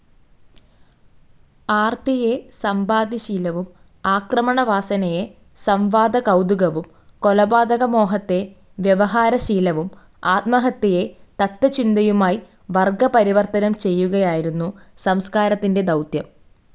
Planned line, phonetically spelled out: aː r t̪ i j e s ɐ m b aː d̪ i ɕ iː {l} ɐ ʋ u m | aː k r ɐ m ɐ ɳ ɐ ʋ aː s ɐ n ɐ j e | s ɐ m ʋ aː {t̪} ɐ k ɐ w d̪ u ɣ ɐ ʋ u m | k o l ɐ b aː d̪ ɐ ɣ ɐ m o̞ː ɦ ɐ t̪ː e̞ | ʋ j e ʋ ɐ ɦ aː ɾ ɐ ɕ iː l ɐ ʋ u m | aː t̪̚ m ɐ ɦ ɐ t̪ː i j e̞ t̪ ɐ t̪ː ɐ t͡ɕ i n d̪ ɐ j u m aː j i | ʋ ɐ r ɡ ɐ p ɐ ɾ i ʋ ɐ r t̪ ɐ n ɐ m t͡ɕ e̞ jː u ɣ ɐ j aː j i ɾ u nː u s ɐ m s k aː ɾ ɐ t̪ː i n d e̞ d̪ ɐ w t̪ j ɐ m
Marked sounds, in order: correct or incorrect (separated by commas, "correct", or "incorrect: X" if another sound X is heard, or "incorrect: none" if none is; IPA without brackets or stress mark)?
correct, incorrect: d̪